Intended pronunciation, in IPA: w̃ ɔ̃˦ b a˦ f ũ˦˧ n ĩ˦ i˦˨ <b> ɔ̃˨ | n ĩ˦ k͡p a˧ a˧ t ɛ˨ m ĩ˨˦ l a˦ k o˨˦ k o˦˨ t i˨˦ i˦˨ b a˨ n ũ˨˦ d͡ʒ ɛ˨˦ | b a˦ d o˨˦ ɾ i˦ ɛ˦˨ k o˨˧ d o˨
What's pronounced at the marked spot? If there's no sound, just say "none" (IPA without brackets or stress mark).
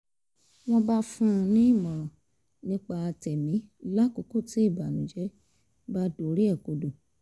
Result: m